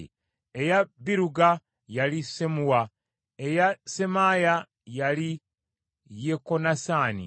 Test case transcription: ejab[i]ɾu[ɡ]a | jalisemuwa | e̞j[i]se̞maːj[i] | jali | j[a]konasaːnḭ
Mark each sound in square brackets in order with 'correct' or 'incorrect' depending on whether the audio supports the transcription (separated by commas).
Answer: correct, correct, incorrect, incorrect, incorrect